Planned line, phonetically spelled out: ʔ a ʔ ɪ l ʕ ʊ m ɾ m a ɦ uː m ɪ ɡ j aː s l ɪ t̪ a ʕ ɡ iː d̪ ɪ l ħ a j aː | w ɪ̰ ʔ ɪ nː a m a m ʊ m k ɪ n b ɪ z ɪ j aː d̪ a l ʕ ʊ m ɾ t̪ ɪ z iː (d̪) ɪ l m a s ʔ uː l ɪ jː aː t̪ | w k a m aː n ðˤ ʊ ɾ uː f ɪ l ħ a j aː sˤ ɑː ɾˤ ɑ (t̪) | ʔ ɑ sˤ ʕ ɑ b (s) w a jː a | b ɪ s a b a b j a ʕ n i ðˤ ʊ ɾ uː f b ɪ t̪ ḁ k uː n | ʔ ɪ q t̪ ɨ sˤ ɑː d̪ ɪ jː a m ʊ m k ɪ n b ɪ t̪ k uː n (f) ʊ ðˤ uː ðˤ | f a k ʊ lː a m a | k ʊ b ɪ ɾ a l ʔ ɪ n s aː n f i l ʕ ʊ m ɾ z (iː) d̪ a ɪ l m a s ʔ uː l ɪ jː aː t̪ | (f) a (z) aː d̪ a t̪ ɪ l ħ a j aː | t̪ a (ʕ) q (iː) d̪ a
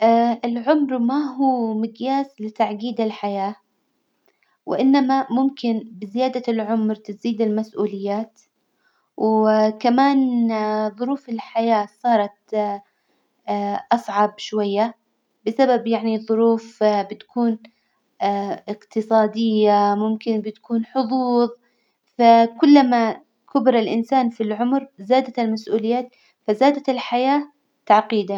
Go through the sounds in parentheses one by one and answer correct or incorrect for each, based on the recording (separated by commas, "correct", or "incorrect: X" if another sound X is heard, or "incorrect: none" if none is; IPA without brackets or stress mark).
correct, correct, incorrect: ʃ, incorrect: ħ, incorrect: aː, correct, correct, correct, correct